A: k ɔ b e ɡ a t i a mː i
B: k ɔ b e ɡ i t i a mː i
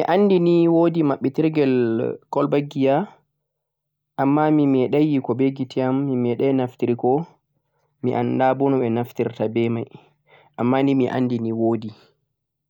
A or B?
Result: B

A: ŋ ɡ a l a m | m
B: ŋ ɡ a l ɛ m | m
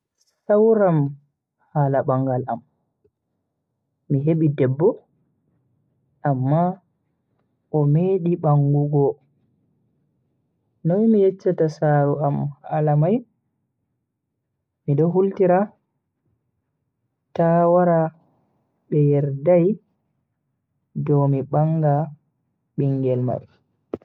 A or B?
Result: A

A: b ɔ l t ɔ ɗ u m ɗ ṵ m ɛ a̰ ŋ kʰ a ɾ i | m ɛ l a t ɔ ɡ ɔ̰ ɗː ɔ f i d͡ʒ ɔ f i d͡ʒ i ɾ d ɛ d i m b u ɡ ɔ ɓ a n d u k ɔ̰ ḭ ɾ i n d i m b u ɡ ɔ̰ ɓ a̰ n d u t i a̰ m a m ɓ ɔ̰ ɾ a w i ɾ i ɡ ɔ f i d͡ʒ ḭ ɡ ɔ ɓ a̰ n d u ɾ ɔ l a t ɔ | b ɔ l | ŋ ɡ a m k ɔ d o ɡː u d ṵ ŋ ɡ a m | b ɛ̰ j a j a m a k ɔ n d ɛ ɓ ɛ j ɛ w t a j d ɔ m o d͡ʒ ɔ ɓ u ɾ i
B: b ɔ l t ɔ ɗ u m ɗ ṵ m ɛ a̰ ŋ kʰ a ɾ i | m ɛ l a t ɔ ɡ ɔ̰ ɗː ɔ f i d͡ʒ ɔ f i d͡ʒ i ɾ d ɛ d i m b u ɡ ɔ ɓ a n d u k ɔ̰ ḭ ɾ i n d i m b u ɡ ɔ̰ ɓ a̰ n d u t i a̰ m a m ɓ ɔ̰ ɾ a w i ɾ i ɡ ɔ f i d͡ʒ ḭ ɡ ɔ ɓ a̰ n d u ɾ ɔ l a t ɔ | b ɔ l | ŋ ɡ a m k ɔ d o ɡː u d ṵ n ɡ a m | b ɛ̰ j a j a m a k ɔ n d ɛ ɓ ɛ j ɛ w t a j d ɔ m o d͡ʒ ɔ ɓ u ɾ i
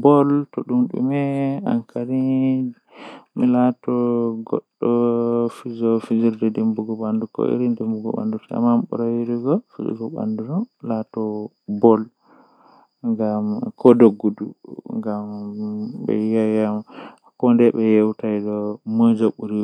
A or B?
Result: A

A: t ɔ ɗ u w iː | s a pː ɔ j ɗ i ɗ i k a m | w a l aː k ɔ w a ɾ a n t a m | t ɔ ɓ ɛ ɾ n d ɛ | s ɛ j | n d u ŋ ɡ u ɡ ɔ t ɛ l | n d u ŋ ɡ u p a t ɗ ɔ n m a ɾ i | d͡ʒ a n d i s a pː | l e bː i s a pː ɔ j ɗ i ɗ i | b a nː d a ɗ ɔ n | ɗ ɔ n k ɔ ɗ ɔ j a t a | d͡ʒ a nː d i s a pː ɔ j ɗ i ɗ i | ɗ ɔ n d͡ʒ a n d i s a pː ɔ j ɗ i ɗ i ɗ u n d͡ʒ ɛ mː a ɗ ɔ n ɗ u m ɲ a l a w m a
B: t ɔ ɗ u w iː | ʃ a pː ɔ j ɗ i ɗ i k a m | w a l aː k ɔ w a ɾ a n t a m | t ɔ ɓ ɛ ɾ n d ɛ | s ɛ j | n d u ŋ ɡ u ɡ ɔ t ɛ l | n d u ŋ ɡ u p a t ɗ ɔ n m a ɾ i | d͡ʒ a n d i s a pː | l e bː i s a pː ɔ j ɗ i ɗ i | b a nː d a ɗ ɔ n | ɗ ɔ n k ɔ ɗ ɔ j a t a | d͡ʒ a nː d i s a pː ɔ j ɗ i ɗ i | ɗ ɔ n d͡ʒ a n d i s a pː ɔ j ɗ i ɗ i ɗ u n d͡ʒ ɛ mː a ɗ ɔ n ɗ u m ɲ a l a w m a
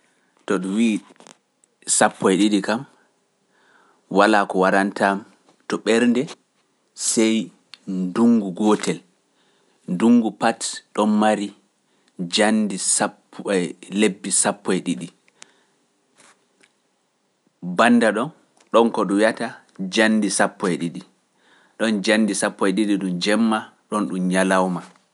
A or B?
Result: A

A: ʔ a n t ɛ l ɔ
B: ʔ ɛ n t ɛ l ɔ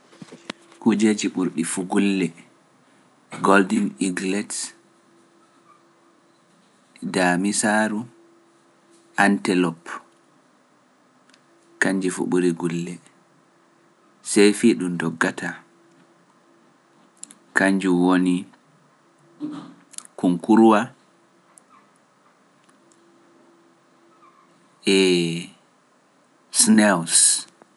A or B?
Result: A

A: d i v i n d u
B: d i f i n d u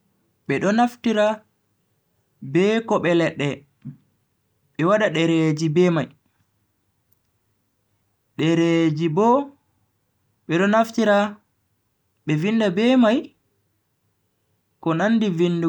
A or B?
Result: A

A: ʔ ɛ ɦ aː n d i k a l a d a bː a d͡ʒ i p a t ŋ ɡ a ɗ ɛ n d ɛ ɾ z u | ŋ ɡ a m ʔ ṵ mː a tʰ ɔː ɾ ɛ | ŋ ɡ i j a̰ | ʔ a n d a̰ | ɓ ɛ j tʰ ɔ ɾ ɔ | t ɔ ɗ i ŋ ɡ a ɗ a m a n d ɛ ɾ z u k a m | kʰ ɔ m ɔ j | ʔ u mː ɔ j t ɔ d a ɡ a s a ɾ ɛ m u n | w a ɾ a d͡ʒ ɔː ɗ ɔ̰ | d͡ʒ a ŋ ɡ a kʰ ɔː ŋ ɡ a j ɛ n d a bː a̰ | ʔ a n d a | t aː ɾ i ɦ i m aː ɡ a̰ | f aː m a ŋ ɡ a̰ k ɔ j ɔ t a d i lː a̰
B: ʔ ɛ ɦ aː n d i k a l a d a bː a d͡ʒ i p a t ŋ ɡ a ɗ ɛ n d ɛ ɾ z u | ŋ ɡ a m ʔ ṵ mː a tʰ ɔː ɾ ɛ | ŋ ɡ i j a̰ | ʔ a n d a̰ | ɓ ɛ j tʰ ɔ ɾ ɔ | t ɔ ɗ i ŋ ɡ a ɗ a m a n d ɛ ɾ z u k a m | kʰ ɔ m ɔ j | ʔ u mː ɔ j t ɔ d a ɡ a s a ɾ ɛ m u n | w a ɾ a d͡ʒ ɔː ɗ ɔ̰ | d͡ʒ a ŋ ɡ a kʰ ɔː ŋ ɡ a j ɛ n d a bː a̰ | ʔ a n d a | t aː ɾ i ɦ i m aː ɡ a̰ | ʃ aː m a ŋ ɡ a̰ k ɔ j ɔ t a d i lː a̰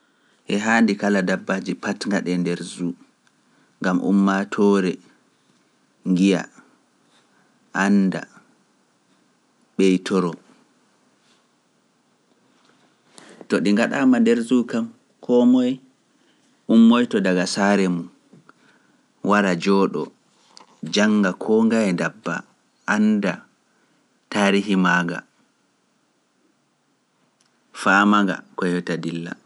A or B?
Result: A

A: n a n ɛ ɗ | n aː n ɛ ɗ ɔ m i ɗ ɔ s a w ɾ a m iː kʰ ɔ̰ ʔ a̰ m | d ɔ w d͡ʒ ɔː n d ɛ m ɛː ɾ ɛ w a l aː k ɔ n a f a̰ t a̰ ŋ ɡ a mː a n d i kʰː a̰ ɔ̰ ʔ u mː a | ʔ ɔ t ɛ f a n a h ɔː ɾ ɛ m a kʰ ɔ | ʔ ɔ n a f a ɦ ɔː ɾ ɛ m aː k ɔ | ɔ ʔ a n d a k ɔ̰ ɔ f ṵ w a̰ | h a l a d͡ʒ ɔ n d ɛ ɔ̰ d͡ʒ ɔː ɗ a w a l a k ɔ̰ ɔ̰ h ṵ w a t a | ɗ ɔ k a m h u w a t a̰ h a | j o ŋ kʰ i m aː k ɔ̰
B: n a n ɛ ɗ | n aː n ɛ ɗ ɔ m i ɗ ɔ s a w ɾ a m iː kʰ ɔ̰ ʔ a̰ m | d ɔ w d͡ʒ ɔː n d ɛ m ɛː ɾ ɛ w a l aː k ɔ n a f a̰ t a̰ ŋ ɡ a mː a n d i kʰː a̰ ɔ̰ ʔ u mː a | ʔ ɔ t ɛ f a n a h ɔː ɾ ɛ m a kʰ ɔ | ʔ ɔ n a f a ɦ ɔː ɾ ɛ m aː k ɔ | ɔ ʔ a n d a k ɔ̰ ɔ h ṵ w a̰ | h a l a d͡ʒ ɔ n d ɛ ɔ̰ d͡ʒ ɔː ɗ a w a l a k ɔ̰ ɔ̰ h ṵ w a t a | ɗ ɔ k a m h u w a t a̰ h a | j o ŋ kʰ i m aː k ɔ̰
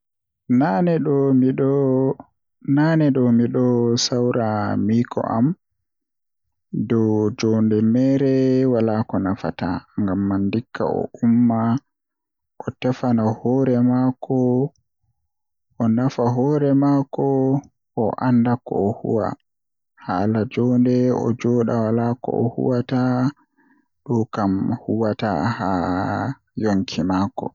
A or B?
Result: B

